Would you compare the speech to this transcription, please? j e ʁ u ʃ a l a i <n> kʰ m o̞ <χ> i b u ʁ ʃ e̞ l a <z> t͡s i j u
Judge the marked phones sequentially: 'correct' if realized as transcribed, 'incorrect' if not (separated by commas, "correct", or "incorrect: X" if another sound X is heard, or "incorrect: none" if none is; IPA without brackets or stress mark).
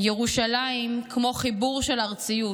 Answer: incorrect: m, correct, incorrect: ʁ